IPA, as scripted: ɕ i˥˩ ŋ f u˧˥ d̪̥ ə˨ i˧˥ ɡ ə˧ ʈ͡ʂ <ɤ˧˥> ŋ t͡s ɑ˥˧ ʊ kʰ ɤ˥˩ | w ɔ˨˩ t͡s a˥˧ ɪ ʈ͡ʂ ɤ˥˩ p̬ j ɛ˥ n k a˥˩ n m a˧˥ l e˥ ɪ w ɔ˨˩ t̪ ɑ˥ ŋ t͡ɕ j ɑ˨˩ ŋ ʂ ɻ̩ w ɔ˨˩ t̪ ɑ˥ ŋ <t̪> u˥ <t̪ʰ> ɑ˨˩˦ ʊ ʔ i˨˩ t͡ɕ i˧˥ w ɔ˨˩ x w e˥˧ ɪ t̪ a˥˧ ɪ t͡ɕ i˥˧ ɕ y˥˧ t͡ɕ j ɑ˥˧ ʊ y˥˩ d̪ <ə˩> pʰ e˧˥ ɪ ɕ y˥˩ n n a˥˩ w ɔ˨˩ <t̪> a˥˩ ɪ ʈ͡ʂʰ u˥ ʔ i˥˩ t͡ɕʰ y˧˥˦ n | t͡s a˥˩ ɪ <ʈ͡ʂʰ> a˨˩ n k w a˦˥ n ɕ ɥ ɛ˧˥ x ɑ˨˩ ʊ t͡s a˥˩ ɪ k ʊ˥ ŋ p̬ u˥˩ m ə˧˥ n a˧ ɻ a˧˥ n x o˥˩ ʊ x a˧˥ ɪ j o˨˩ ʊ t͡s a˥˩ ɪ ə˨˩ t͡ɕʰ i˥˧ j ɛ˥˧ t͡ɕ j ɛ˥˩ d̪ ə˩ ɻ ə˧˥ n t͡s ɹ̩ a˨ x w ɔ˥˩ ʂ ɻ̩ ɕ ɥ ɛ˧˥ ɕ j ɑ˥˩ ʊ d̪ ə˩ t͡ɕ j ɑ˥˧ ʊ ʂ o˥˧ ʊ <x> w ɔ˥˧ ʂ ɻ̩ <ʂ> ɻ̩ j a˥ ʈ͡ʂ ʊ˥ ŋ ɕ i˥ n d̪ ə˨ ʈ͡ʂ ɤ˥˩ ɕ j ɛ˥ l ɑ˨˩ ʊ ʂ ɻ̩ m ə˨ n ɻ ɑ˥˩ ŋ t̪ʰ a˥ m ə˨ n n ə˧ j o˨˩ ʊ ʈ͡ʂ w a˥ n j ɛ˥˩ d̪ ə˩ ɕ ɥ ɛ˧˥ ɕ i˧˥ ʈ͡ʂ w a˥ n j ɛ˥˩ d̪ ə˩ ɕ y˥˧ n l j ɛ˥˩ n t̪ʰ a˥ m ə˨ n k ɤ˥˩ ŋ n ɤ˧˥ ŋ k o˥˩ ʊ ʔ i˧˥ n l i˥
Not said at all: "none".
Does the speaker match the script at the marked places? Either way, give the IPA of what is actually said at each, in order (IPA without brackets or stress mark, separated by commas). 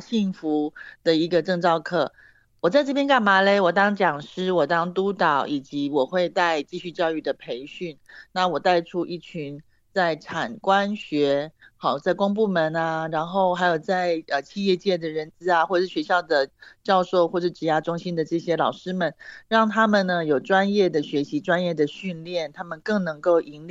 ɤ˥˧, t̪, t̪, ə˩, t̪, ʈ͡ʂʰ, x, ʈ͡ʂ